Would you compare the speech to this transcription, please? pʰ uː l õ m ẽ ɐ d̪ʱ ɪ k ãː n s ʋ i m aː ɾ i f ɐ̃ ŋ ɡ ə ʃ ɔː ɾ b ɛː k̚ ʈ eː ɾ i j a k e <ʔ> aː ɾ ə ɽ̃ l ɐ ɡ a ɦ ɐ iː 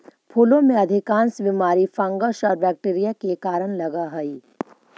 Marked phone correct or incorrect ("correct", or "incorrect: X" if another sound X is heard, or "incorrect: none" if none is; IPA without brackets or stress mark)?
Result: incorrect: k